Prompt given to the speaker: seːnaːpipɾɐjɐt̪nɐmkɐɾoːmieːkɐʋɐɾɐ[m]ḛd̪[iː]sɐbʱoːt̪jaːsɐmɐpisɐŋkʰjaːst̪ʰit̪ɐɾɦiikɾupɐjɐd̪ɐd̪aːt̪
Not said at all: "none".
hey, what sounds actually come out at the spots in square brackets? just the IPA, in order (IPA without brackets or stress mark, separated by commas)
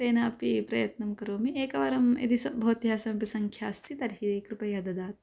m, i